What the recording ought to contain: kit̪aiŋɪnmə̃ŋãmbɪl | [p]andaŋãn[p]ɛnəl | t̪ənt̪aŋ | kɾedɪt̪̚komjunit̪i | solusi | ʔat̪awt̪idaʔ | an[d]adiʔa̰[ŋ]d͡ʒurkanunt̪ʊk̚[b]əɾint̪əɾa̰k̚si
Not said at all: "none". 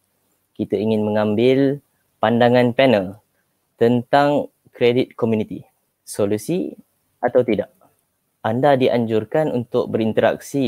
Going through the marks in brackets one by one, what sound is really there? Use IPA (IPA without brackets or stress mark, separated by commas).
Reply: p, p, d, ɲ, b